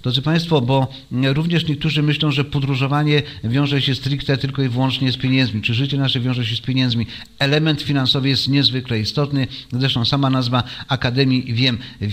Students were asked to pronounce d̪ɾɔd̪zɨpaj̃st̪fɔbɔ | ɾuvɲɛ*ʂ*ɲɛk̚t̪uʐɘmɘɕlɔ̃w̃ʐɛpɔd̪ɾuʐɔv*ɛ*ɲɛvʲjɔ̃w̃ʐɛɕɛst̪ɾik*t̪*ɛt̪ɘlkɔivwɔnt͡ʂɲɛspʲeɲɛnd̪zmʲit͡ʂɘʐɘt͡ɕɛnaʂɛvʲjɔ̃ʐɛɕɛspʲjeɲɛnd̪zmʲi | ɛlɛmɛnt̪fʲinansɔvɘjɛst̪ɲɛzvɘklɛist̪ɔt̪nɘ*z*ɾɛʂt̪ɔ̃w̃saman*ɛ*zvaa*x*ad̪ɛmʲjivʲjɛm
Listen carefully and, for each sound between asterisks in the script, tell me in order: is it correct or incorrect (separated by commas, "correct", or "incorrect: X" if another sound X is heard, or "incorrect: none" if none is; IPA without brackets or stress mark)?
correct, incorrect: a, correct, correct, incorrect: a, incorrect: k